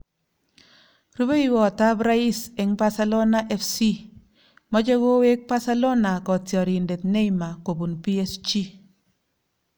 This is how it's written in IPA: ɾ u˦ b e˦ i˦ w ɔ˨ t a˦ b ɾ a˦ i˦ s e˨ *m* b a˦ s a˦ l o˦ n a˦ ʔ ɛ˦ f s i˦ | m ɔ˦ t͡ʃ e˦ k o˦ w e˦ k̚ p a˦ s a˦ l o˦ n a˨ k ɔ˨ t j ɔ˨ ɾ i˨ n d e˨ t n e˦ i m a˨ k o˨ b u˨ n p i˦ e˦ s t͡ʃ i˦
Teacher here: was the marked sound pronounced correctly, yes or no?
no